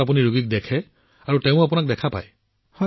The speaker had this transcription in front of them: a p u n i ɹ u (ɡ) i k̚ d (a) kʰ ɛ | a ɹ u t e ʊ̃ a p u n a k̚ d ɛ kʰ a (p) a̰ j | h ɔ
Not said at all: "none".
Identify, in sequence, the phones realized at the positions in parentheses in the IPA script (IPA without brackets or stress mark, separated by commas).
ɡ, ɛ, p